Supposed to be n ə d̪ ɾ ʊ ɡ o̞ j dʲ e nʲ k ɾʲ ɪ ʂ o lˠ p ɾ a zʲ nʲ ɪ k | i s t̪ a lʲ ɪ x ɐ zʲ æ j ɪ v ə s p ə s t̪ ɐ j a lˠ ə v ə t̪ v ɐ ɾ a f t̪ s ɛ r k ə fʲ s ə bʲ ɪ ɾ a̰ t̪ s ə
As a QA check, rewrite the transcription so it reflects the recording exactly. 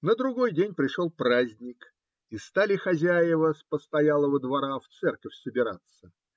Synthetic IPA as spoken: n ə d̪ ɾ ʊ ɡ o̞ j dʲ e nʲ p ɾʲ ɪ ʂ o lˠ p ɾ a zʲ nʲ ɪ k | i s t̪ a lʲ ɪ x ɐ zʲ æ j ɪ v ə s p ə s t̪ ɐ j a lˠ ə v ə d̪ v ɐ ɾ a f t̪ s ɛ r k ə fʲ s ə bʲ ɪ ɾ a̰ t̪ s ə